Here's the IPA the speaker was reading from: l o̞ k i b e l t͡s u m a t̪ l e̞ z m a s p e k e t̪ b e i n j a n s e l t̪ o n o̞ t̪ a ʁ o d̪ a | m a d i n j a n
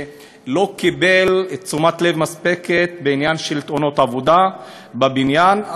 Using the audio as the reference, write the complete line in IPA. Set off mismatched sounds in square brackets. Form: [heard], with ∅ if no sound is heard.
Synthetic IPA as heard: l o̞ k i b e l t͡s u m a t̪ l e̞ [v] m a s p e k e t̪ b e i n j a n [ʃ] e l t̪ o n o̞ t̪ a [v] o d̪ a | [b] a [b] i n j a n